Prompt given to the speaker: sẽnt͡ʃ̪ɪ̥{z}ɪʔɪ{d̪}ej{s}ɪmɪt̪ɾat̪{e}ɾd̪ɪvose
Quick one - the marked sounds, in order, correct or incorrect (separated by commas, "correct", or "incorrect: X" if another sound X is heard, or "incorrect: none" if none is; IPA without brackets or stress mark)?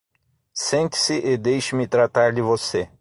incorrect: s, correct, incorrect: ʃ, incorrect: a